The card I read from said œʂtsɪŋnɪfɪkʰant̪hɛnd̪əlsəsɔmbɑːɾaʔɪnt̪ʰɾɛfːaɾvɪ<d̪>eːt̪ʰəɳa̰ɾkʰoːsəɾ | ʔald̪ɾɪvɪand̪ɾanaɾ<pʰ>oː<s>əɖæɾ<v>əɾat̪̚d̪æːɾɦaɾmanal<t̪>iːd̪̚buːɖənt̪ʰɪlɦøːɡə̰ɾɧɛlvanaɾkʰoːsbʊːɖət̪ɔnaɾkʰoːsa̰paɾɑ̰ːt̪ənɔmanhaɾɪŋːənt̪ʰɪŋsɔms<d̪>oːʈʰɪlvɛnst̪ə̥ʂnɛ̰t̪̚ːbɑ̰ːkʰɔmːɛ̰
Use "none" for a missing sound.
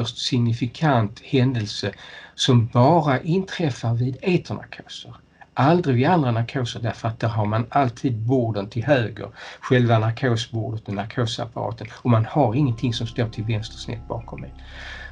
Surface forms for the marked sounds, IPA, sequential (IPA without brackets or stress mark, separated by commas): d̪, kʰ, s, f, t̪ʰ, t̪